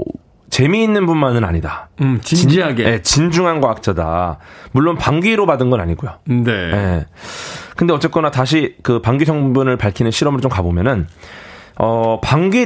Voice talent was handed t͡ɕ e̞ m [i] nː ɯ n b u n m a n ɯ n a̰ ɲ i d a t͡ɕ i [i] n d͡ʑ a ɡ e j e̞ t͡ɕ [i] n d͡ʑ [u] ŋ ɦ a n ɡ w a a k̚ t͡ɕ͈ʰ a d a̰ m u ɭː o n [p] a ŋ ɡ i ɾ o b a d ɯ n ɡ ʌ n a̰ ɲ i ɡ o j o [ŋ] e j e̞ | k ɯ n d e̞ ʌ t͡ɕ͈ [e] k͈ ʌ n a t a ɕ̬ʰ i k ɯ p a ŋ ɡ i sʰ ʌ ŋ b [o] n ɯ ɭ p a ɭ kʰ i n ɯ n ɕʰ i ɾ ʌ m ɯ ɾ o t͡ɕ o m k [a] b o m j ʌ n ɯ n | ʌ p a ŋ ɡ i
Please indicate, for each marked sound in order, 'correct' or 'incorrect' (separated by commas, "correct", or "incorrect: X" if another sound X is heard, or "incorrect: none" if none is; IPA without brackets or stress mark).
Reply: incorrect: iː, correct, correct, correct, correct, incorrect: n, correct, incorrect: u, correct